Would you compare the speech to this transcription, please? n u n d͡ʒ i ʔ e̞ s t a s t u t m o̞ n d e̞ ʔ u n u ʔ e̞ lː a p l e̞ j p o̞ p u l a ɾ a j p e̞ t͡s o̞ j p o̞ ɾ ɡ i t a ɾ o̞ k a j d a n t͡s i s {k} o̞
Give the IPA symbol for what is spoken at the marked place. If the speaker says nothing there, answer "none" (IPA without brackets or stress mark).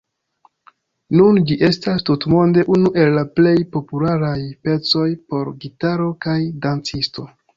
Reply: t